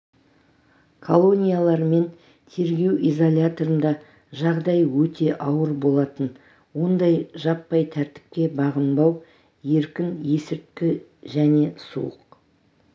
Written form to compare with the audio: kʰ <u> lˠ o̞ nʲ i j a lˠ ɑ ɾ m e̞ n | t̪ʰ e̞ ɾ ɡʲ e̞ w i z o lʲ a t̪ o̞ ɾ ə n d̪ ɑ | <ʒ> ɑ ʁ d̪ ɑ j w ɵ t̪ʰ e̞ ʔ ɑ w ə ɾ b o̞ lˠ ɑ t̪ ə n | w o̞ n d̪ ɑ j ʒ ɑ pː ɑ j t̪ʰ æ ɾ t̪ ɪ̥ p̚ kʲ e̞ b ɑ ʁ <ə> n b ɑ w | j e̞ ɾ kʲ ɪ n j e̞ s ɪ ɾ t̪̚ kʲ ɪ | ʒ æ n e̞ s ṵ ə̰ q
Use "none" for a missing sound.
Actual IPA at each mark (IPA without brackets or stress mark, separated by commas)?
o, ʒ, ə